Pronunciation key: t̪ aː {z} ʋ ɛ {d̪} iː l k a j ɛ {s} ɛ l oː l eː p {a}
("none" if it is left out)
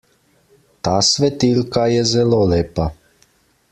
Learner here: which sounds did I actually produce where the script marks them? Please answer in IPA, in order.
s, t̪, z, a

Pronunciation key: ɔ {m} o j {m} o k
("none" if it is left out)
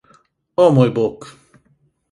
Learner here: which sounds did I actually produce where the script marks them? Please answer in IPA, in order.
m, b

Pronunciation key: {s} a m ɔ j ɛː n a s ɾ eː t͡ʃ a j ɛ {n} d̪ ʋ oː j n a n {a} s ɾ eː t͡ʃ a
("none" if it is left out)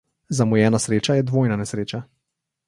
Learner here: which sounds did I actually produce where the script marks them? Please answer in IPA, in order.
z, none, ɛ

